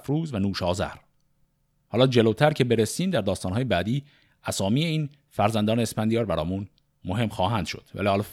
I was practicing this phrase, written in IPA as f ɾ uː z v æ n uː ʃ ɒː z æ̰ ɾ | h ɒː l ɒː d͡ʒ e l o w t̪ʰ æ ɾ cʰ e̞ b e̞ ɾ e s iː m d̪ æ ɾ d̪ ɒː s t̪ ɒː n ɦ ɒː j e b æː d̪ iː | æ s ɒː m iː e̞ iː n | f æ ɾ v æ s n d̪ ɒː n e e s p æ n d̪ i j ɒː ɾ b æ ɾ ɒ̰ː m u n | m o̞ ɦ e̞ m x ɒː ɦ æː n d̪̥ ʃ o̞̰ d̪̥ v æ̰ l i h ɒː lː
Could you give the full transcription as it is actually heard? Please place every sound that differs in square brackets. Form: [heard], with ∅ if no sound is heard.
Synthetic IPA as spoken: f ɾ uː z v æ n uː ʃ ɒː z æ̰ ɾ | h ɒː l ɒː d͡ʒ e l o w t̪ʰ æ ɾ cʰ e̞ b e̞ ɾ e s iː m d̪ æ ɾ d̪ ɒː s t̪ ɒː n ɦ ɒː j e b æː d̪ iː | æ s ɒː m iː e̞ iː n | f æ ɾ [z] æ [∅] n d̪ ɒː n e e s p æ n d̪ i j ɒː ɾ b æ ɾ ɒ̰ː m u n | m o̞ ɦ e̞ m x ɒː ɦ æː n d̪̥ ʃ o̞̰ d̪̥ v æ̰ l i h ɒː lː